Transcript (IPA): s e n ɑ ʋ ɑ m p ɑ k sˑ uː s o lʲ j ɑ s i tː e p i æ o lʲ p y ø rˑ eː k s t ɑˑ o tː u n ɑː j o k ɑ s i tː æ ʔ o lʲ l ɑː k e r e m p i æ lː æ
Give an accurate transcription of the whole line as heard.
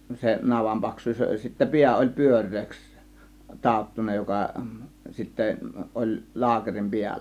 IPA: s e n ɑ ʋ ɑ m p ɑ k sˑ uː s o lʲ j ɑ s i tː æ p i æ o lʲ p y ø rˑ eː k s t ɑˑ o tː u n ɑ j o k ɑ s i tː æ ʔ o lʲ l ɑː k e r i m p i æ lː æ

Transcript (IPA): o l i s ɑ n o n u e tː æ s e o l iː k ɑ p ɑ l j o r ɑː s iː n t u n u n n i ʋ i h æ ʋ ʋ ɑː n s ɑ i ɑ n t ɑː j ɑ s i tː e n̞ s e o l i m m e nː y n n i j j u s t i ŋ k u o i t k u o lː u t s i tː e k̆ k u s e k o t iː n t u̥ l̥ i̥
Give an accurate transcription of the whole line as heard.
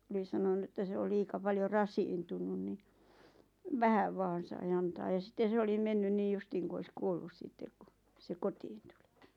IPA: o l i s ɑ n o n u e tː æ s e o l iː k ɑ p ɑ l j o r ɑ s iː n t u n u n n i ʋ æ h æ ʋ ʋ ɑː n s ɑ i ɑ n t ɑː j ɑ s i tː e n̞ s e o l i m m e nː y n n iː j j u s t iː ŋ k u o i s k u o lː u s s i tː e k̆ k u s e k o t iː n t u̥ l̥ i̥

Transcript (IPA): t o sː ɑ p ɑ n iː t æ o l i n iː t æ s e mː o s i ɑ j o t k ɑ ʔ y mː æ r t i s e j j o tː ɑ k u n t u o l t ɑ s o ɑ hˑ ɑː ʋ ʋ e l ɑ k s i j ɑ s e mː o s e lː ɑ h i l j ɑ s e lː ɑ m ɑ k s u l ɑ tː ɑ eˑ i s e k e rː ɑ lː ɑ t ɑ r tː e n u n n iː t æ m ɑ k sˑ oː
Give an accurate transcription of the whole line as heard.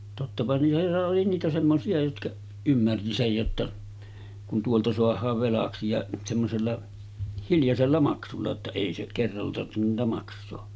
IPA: t o tː ɑ p ɑ n iː t æ o l i n iː t æ s e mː o s i ɑ j o t k ɑ ʔ y mː æ r t i s e j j o tː ɑ k u n t u o l t ɑ s o ɑ hˑ ɑː ʋ ʋ e l ɑ k s i j ɑ s e mː o s e lː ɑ h i l j ɑ s e lː ɑ m ɑ k s u lː ɑ tː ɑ eˑ i s e k e rː ɑ lː ɑ t ɑ r tː e n u n n iː t æ m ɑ k sˑ oː

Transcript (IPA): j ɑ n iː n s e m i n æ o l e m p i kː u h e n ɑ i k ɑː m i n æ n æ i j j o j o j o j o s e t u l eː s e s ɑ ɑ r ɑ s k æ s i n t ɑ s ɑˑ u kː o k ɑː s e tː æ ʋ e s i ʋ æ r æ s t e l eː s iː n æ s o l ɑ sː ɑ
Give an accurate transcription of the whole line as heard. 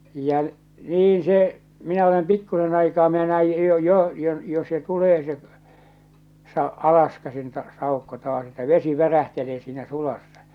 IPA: j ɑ n iː n s e m i n æ o l e m p i kː u s e n ɑ i k ɑː m i n æ n æ i j j o j o j o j o s e t u l eː s e s ɑ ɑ l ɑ s k æ s i n t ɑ s ɑˑ u kː o t ɑː s e tː æ ʋ e s i ʋ æ r æ h t e l eː s iː n æ s u l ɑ sː ɑ

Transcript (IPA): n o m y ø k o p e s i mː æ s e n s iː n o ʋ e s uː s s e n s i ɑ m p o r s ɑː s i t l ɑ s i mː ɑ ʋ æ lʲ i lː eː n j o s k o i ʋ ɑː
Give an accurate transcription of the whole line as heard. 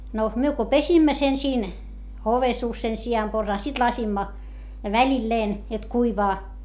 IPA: n o m y ø k o p e s i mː æ s e n s iː n o ʋ e s uː s s e n s i ɑ m p o r s ɑː s i t l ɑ s i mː ɑ ʋ æ lʲ i lː eː n j o t k u i ʋ ɑː

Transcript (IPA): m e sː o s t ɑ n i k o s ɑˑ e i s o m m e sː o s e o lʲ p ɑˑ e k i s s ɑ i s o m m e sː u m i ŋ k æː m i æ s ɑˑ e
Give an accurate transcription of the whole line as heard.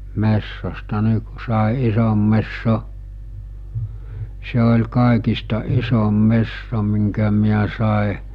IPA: m e sː o s t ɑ n i k u s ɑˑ e i s o m m e sː o s e o lʲ k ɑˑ e k i s t ɑ i s o m m e sː o m i ŋ k æ m i æ s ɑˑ e

